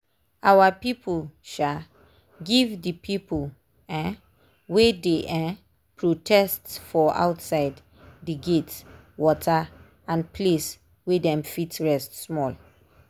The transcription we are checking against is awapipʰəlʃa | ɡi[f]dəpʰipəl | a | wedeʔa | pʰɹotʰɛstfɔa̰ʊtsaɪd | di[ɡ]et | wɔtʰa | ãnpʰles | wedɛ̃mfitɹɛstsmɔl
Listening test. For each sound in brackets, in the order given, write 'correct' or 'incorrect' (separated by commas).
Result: incorrect, correct